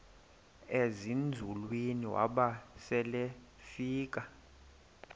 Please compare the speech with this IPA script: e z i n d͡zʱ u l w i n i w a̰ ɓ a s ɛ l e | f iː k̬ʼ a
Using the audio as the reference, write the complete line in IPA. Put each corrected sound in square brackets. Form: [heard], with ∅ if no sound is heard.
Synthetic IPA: e z i n d͡zʱ u l w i n i w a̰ ɓ a s ɛ l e | f iː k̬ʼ a